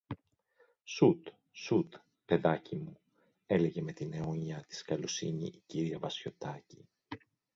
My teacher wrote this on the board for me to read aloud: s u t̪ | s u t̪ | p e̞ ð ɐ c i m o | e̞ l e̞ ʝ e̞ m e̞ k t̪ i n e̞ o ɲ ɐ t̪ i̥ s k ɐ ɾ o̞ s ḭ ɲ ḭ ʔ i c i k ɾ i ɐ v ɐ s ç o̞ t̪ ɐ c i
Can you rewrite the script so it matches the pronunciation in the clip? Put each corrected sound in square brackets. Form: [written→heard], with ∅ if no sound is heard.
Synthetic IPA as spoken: s u t̪ | s u t̪ | p e̞ ð ɐ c i m [o→u] | e̞ l e̞ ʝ e̞ m e̞ [k→∅] t̪ i n e̞ o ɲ ɐ t̪ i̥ s k ɐ [ɾ→l] o̞ s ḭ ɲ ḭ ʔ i c i [k→∅] ɾ i ɐ v ɐ s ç o̞ t̪ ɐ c i